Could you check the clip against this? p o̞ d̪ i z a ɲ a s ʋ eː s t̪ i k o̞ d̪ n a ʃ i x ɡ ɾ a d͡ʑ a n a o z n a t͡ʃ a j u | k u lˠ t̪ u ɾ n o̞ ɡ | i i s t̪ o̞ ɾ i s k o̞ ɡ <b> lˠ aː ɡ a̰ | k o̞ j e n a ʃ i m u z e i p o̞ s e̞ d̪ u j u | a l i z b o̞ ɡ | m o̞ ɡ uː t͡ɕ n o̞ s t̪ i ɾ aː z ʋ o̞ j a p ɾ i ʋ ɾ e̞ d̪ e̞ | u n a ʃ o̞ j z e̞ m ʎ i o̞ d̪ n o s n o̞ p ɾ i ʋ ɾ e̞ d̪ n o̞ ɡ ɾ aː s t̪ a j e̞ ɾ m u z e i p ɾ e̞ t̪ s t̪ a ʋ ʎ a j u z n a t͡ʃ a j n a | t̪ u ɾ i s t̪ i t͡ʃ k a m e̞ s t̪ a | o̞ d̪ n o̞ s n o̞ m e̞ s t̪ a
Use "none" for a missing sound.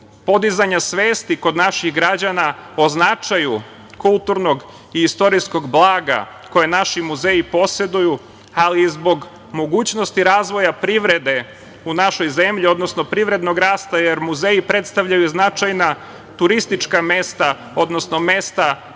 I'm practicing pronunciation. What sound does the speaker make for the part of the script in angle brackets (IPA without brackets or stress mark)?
b